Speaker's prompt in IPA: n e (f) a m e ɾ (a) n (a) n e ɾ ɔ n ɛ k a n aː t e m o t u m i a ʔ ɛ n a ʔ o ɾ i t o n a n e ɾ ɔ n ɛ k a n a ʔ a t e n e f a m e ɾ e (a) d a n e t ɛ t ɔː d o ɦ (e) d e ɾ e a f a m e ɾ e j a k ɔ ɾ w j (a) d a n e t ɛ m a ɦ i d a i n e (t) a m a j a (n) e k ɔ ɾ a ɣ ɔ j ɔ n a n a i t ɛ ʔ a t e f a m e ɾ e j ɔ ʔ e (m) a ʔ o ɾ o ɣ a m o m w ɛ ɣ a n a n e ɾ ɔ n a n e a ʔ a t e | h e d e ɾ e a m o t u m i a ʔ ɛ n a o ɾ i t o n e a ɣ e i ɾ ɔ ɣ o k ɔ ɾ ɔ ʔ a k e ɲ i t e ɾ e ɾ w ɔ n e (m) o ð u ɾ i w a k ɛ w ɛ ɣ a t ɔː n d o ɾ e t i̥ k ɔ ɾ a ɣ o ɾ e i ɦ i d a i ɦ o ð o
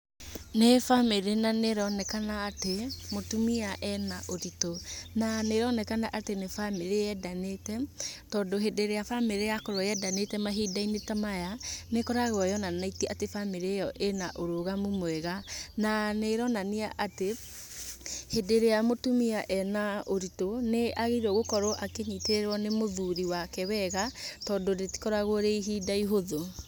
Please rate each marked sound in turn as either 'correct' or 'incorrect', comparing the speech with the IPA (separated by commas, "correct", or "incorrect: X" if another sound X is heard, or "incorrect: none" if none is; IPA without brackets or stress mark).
correct, incorrect: e, correct, incorrect: ɛ, correct, incorrect: ɛ, correct, correct, incorrect: n, correct